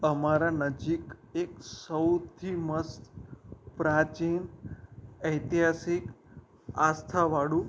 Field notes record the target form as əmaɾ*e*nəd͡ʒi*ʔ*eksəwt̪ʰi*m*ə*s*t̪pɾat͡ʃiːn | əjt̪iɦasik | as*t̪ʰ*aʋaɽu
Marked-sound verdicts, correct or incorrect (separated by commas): incorrect, incorrect, correct, correct, correct